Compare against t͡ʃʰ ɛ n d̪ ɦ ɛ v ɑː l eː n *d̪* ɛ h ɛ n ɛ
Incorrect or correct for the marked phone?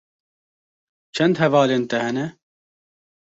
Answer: incorrect: t̪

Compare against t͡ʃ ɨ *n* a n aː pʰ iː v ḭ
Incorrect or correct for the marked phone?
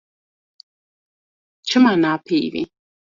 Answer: incorrect: m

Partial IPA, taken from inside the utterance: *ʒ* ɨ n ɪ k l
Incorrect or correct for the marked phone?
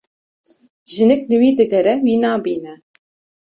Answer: correct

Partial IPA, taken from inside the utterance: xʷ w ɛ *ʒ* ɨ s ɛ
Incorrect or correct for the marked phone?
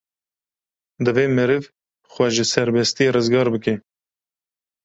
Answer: correct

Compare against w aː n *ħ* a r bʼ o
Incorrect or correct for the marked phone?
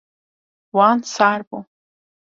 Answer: incorrect: s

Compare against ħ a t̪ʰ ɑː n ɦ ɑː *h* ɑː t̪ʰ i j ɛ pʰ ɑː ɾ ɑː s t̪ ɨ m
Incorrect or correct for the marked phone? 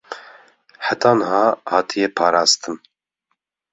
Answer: correct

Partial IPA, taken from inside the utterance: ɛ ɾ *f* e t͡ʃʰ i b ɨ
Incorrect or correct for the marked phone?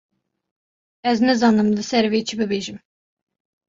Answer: incorrect: v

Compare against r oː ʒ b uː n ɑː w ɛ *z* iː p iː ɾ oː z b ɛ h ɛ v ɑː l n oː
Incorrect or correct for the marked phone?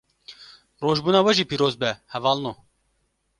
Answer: incorrect: ʒ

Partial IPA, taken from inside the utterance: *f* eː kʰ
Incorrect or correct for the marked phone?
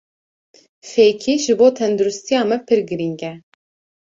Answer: correct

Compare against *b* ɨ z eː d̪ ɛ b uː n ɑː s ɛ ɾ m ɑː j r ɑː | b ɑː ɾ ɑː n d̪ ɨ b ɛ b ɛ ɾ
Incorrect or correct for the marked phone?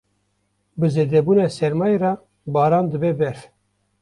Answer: correct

